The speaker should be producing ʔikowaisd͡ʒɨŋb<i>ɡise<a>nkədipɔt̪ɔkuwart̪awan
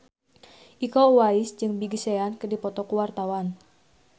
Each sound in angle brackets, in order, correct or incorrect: correct, correct

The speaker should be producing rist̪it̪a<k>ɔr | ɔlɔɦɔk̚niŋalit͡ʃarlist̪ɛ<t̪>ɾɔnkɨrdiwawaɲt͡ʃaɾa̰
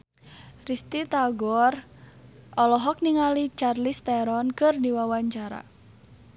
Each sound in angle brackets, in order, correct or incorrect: incorrect, incorrect

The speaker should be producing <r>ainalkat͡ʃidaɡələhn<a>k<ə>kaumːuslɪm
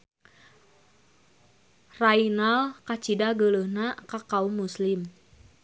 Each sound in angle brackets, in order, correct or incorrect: correct, correct, incorrect

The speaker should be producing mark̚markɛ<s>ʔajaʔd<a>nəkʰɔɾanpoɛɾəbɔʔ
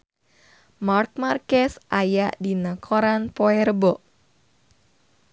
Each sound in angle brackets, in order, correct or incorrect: correct, incorrect

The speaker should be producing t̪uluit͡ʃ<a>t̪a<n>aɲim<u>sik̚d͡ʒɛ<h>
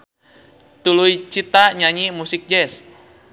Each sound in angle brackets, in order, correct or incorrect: incorrect, incorrect, correct, incorrect

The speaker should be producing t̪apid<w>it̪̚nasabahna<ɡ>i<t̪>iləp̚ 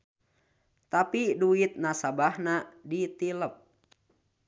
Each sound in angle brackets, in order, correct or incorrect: incorrect, incorrect, correct

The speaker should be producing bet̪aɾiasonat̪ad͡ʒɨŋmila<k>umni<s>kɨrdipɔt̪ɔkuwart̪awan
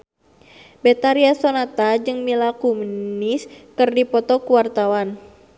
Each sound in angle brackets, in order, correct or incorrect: correct, correct

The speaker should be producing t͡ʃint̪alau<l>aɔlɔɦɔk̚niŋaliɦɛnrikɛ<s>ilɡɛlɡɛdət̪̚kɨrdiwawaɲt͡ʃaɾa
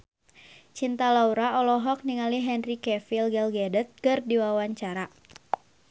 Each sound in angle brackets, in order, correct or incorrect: incorrect, incorrect

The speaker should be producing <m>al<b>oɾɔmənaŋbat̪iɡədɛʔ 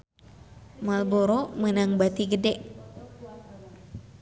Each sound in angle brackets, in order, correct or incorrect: correct, correct

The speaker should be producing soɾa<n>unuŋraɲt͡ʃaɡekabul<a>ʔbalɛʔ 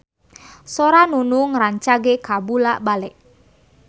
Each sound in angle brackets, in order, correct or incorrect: correct, correct

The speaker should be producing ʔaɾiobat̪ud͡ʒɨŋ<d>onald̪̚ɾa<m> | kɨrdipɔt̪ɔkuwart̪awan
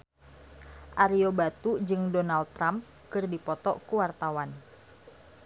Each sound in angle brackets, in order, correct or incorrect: correct, correct

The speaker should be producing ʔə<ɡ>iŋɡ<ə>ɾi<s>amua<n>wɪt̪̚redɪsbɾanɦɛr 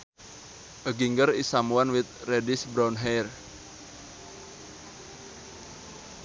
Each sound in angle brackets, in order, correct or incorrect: correct, correct, correct, correct

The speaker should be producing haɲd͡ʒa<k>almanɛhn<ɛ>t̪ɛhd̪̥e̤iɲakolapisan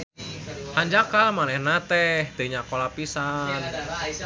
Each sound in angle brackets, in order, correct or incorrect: correct, incorrect

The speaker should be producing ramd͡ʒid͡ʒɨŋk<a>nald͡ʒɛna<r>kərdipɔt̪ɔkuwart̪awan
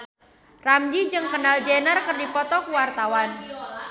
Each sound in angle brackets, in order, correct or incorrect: incorrect, correct

